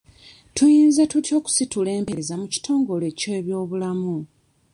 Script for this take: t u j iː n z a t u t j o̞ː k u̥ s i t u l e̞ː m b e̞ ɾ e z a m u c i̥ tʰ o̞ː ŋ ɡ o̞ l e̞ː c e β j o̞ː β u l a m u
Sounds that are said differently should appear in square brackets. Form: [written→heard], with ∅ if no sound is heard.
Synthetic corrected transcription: t u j iː n z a t u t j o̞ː k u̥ s i t u l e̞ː m [b→p] e̞ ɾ e z a m u c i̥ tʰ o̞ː ŋ ɡ o̞ l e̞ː c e β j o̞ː β u l a m u